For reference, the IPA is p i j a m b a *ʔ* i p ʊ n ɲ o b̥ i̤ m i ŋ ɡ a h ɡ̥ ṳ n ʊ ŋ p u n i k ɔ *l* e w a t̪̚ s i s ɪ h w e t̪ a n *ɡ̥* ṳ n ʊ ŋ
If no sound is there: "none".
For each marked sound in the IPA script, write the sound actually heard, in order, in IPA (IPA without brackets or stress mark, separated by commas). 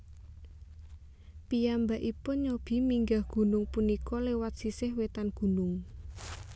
ʔ, l, ɡ̥